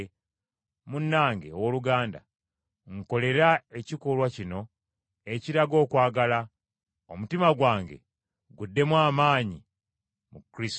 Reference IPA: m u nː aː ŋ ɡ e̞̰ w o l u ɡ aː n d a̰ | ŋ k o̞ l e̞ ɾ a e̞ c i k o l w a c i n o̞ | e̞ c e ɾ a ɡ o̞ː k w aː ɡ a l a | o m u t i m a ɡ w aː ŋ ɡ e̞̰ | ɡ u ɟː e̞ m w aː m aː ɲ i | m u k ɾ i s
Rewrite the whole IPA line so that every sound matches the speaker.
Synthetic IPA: m u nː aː ŋ ɡ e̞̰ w o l u ɡ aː n d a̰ | ŋ k o̞ l e̞ ɾ a e̞ c i k o l w a c i n o̞ | e̞ c i ɾ a ɡ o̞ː k w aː ɡ a l a | o m u t i m a ɡ w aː ŋ ɡ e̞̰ | ɡ u dː e̞ m w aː m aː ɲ i | m u k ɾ i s